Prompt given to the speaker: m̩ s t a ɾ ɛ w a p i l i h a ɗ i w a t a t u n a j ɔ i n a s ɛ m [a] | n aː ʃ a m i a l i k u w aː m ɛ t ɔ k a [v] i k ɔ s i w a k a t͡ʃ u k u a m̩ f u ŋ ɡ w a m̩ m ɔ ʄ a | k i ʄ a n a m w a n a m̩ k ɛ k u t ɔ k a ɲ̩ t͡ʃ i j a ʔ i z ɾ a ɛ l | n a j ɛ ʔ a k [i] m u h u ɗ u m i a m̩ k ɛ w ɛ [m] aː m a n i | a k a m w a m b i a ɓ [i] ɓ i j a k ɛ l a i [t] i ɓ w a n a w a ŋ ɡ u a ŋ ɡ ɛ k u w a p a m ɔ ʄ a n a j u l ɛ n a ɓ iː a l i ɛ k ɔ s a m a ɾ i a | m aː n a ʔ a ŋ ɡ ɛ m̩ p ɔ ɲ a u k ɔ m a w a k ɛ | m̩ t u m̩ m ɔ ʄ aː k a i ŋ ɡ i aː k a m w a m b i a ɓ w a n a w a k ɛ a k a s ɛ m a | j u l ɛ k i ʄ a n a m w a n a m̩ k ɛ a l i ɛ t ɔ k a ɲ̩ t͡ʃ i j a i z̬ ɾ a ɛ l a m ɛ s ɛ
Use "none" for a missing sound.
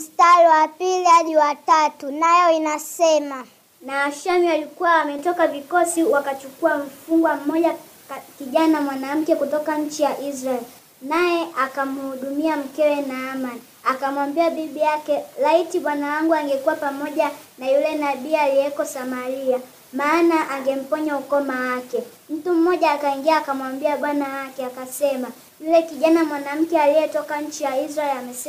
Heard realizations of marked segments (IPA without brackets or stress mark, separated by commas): a, v, a, n, i, t